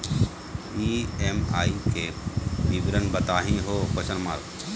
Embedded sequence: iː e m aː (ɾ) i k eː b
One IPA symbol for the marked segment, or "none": none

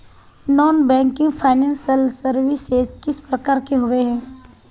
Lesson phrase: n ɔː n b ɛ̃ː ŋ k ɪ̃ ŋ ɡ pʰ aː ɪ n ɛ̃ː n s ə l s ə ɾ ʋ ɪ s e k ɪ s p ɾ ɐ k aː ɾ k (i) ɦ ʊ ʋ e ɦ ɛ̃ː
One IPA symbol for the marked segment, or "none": e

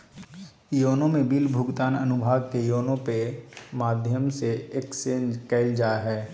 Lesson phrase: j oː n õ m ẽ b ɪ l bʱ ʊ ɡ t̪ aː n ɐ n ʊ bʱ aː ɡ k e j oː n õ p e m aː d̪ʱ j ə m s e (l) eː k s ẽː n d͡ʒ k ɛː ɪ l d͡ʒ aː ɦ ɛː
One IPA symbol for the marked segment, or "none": none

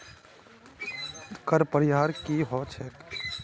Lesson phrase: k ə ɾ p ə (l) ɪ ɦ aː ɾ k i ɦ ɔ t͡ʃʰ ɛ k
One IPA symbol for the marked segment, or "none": ɾ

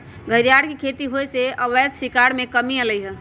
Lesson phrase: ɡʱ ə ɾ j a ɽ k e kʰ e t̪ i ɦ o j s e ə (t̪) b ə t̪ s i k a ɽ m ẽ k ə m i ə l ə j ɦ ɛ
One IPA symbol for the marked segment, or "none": none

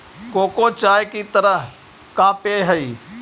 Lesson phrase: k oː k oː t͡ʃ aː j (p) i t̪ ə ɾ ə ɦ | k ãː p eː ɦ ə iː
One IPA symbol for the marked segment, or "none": k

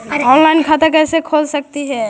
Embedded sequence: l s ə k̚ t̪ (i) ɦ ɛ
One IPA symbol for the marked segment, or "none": i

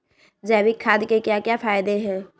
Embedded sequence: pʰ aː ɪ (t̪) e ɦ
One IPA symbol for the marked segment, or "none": d̪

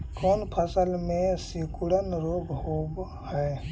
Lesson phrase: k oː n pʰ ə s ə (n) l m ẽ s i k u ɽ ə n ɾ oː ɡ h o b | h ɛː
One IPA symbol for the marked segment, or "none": none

